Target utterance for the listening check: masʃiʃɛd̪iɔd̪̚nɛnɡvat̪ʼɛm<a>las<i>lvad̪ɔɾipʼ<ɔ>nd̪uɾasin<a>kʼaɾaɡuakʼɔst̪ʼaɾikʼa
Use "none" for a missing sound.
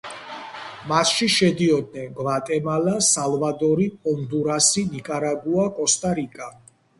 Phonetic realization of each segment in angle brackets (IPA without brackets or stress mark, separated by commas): a, a, ɔ, i